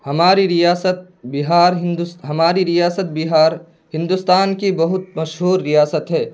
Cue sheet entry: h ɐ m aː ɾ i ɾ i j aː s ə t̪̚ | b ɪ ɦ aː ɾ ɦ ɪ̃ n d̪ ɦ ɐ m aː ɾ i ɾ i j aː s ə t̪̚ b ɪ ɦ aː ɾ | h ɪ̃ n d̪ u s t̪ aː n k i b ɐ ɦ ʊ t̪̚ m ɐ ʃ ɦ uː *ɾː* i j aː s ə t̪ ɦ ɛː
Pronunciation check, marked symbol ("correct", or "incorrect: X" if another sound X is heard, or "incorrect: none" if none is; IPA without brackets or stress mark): correct